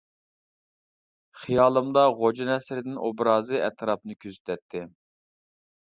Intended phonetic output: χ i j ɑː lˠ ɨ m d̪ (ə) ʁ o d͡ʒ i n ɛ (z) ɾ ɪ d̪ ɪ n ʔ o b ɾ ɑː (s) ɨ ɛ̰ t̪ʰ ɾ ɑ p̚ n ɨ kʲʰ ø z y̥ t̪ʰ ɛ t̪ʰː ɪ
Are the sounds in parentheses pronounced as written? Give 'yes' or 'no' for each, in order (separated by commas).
no, no, no